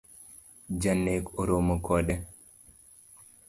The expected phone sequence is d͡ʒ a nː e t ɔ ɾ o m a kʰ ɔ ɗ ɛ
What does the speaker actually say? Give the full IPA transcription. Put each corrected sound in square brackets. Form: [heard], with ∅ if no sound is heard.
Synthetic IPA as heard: d͡ʒ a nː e [k] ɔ ɾ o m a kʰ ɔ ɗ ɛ